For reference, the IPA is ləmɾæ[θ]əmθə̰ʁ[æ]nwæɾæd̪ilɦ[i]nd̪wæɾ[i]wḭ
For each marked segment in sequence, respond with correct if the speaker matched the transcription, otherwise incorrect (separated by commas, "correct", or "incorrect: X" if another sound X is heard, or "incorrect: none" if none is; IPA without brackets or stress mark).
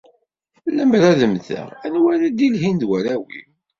incorrect: ð, correct, correct, incorrect: æ